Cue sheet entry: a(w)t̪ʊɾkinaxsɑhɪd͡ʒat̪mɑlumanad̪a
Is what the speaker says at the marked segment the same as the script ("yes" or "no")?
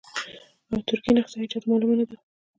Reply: yes